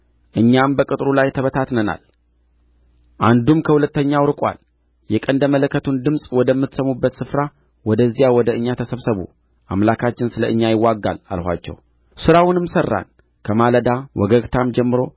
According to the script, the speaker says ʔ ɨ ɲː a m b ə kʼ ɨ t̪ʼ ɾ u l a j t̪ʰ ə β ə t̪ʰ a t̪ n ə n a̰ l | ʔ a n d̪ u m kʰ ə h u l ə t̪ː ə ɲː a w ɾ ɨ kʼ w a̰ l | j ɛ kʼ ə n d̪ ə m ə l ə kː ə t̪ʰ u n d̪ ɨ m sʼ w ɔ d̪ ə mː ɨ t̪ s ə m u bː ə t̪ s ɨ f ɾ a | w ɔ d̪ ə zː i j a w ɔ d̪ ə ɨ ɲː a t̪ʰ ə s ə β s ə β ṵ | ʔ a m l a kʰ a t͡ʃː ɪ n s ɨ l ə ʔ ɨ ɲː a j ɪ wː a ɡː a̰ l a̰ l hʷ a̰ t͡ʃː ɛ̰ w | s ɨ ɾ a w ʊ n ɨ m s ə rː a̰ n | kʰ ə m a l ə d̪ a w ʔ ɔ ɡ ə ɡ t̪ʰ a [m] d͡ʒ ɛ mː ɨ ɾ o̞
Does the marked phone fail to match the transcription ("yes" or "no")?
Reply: no